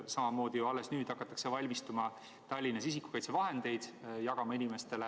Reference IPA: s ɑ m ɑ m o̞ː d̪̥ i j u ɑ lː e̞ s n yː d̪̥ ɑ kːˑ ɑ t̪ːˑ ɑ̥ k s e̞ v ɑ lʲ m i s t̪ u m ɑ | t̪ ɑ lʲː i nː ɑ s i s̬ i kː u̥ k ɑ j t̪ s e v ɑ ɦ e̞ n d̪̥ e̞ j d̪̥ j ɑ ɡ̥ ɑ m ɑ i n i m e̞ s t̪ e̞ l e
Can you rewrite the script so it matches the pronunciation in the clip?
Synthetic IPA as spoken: s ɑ m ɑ m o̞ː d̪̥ i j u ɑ lː e̞ s n yː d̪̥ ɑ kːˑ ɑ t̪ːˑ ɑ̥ k s e̞ v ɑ lʲ m i s t̪ u m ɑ | t̪ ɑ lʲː i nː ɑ s i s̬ i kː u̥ k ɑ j t̪ s e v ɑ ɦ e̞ n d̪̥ e̞ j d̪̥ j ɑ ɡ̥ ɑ m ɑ i n i m e̞ s t̪ e̞ l e